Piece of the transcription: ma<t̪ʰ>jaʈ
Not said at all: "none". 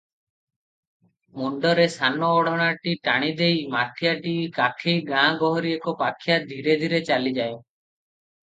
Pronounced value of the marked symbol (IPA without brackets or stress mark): t̪ʰ